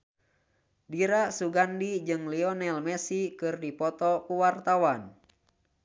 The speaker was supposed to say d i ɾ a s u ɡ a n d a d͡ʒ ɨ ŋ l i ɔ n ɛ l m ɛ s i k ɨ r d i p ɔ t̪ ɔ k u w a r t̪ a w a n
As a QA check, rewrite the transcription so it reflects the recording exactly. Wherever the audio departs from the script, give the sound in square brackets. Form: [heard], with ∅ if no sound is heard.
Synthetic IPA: d i ɾ a s u ɡ a n d [i] d͡ʒ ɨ ŋ l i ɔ n ɛ l m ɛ s i k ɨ r d i p ɔ t̪ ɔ k u w a r t̪ a w a n